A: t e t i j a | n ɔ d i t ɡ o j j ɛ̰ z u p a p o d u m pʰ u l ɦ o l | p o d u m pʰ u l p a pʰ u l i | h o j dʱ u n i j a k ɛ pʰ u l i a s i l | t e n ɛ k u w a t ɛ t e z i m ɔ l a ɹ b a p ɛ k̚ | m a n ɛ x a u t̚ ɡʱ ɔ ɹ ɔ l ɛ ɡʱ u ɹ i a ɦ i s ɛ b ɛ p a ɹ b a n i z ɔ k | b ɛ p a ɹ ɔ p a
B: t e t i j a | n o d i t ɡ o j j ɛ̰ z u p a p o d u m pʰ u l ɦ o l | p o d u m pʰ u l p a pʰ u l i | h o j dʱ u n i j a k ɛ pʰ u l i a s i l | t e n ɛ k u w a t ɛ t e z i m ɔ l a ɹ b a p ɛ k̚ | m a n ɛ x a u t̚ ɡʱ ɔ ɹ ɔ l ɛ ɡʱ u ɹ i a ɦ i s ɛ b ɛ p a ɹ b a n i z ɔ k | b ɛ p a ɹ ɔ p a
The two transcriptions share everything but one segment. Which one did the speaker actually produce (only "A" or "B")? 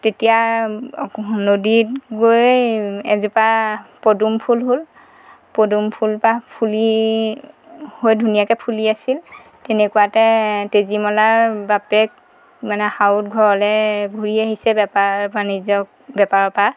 B